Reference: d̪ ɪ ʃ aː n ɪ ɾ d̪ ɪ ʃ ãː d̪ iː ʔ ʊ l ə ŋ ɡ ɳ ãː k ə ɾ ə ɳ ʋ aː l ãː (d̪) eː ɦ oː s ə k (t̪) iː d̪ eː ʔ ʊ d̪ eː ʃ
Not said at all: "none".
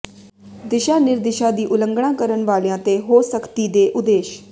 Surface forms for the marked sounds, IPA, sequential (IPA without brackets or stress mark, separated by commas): t̪, t̪